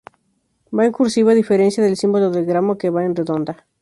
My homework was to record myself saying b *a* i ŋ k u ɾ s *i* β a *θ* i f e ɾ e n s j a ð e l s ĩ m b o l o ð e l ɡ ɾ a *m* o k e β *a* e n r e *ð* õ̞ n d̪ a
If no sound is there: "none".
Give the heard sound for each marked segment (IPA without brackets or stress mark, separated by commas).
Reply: a, i, ð, m, a, ð